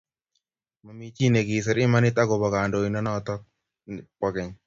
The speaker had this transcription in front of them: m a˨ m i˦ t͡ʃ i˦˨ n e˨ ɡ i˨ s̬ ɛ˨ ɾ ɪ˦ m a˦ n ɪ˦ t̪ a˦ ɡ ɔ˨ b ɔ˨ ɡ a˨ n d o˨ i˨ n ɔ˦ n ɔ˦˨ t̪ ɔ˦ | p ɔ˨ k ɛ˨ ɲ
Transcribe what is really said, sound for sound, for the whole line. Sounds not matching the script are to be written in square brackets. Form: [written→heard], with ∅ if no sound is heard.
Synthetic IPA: m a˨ m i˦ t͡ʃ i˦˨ n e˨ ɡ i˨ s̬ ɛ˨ ɾ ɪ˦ m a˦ n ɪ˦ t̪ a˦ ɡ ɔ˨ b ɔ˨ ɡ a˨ n d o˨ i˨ n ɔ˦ n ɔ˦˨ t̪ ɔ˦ | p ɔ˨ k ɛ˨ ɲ

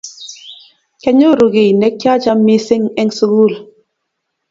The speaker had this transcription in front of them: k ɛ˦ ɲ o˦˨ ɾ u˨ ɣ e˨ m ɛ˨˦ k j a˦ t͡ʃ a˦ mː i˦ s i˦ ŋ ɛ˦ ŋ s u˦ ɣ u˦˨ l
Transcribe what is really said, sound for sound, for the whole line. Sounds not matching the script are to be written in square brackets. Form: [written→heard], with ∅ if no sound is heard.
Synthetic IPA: k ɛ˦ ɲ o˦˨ ɾ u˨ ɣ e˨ [m→n] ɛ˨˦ k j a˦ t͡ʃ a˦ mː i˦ s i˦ ŋ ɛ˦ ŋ s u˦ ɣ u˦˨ l

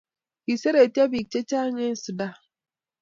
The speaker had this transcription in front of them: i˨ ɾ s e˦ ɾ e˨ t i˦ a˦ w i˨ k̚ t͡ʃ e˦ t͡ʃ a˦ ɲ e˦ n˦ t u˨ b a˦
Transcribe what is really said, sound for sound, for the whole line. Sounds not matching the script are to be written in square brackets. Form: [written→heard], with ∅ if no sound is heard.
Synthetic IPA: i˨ [ɾ→∅] s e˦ ɾ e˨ t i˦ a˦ [w→b] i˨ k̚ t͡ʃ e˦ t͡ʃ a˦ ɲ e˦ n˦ [t→s] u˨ [b→d] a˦

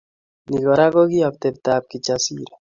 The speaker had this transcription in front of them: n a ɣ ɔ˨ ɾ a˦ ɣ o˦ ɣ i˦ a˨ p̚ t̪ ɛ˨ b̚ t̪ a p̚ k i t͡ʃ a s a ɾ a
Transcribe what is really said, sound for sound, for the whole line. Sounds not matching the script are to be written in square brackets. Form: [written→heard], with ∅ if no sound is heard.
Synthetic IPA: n [a→i] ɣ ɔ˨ ɾ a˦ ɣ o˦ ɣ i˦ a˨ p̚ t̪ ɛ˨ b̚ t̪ a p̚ k i t͡ʃ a s [a→i] ɾ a

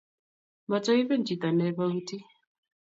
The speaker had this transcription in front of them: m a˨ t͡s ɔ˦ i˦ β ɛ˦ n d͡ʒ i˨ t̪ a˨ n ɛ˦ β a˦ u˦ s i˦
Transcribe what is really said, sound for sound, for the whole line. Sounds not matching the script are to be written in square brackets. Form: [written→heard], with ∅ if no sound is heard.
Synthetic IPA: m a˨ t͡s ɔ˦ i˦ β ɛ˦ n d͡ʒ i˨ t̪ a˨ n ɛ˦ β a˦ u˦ [s→t] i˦

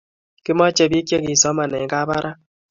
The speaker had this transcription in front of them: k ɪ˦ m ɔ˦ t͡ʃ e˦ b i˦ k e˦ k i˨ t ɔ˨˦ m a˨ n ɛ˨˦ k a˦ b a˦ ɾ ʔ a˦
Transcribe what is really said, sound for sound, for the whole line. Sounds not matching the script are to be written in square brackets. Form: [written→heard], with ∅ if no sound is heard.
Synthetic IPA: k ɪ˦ m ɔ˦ t͡ʃ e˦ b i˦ k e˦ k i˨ [t→s] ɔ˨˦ m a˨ n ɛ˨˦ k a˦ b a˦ ɾ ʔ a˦

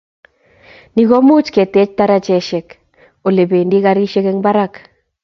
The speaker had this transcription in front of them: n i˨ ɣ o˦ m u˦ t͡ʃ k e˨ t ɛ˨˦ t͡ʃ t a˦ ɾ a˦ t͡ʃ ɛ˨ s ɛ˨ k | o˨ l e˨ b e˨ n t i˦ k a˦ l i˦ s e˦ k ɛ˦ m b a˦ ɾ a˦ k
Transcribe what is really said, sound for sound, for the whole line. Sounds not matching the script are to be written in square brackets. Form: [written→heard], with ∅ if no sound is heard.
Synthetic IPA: n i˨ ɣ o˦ m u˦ t͡ʃ k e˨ t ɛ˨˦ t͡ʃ t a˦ ɾ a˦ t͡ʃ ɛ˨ [s→ʃ] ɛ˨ k | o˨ l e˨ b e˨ n [t→d] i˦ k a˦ [l→ɾ] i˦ [s→ʃ] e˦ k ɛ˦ [m→ŋ] b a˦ ɾ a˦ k

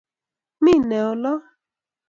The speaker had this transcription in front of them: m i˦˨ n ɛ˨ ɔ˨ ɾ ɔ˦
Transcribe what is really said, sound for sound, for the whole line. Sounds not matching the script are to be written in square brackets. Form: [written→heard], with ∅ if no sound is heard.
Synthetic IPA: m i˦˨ n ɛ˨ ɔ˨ [ɾ→l] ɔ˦

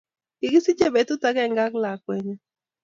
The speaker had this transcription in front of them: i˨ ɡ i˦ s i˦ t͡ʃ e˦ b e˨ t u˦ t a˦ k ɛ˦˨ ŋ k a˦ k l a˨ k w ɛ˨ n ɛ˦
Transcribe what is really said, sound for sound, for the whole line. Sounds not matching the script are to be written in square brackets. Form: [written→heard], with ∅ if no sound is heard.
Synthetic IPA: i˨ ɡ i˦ s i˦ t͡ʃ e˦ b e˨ t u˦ t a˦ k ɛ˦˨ ŋ [k→ɡ] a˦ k l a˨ k w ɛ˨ [n→ɲ] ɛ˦

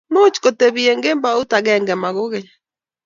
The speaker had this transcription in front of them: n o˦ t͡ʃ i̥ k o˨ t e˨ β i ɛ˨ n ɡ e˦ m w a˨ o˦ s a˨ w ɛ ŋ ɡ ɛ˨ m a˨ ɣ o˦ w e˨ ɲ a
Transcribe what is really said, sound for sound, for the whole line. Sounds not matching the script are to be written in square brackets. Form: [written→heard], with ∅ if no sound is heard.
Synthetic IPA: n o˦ t͡ʃ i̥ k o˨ t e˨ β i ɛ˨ [n→ŋ] ɡ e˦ m [w→b] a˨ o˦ [s→t] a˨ [w→ɣ] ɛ ŋ ɡ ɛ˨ m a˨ ɣ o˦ [w→ɣ] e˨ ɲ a

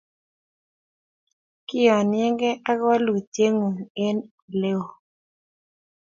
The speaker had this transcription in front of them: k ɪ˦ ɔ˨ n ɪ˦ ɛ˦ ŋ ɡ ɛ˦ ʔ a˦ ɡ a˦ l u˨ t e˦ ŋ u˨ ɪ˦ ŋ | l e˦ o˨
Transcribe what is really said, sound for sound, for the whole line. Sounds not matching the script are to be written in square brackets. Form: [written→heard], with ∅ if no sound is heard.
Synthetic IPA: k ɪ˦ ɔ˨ n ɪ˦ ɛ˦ ŋ ɡ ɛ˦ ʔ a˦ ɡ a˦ l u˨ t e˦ ŋ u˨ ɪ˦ [ŋ→n] | l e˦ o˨

